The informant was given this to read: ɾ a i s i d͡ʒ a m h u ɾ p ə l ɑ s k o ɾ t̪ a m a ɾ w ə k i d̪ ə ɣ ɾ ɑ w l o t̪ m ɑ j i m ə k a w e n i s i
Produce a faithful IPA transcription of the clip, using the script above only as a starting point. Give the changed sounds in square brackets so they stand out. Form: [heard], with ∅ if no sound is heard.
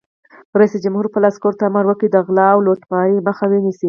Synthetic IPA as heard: ɾ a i s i d͡ʒ a m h u ɾ p ə l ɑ s k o ɾ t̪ a m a ɾ w ə k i d̪ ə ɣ [l] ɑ w l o t̪ m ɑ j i m ə [x] a w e n i s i